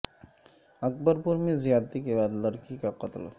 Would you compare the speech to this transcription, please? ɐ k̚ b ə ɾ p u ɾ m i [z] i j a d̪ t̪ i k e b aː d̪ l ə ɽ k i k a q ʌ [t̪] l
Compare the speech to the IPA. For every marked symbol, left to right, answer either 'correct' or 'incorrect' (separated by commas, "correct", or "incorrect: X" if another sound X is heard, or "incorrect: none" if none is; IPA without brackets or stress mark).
correct, correct